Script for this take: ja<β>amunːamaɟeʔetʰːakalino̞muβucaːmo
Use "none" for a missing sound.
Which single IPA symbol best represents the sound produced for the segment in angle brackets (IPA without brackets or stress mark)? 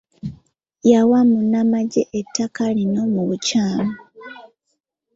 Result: w